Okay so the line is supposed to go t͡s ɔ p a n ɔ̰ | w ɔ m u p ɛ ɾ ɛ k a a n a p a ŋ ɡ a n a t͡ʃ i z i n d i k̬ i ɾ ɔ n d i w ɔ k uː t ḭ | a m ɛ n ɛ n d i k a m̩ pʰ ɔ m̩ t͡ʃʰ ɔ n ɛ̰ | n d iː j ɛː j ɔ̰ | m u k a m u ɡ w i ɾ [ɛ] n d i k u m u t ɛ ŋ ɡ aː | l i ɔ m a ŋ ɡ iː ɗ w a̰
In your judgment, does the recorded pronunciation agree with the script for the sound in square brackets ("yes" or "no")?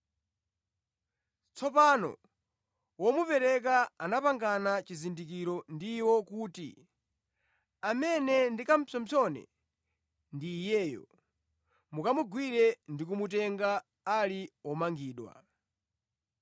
yes